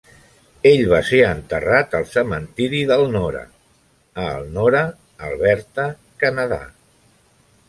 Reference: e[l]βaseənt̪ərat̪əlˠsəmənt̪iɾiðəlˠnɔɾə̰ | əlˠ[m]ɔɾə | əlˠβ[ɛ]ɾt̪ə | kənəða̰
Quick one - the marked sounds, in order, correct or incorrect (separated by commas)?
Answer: incorrect, incorrect, correct